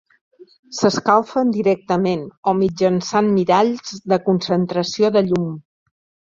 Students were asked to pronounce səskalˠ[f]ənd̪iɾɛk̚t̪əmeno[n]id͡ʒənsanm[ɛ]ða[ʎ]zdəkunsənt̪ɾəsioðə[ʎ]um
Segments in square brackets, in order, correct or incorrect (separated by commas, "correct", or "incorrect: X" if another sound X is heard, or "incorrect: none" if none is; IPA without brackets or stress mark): correct, incorrect: m, incorrect: i, correct, correct